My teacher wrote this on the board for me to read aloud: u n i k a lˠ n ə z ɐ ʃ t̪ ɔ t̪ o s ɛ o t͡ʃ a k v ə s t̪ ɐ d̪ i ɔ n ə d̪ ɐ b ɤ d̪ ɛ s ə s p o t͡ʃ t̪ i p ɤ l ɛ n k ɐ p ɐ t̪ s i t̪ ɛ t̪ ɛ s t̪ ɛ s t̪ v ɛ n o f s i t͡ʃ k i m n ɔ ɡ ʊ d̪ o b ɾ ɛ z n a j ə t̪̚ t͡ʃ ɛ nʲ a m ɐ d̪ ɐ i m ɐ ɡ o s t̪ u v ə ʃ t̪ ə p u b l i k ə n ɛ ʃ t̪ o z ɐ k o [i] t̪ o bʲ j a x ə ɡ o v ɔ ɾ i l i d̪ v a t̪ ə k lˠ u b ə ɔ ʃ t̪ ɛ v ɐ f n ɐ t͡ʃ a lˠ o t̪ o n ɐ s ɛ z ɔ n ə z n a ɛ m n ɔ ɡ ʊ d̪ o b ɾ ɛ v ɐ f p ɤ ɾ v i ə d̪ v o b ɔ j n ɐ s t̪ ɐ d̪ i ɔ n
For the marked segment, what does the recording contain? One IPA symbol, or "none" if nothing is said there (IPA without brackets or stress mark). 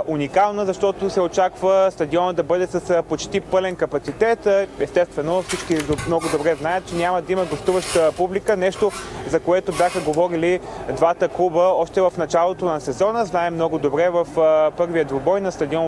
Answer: ɛ